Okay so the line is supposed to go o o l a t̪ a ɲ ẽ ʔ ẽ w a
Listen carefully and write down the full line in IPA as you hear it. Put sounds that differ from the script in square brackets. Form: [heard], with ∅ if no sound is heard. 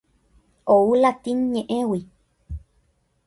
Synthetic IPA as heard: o [u] l a t̪ [i] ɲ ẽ ʔ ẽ w [i]